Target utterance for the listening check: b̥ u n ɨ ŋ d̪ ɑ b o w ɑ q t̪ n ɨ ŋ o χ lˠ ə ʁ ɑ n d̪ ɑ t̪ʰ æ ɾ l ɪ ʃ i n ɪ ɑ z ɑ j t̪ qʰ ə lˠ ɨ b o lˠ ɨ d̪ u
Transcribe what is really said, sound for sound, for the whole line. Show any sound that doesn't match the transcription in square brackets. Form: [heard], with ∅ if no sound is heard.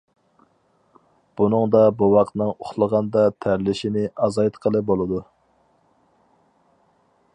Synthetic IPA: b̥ u n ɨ ŋ d̪ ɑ b [u] w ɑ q t̪ n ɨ ŋ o χ lˠ ə ʁ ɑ n d̪ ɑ t̪ʰ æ ɾ l ɪ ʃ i n ɪ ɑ z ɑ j t̪ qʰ ə lˠ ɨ b o lˠ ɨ d̪ u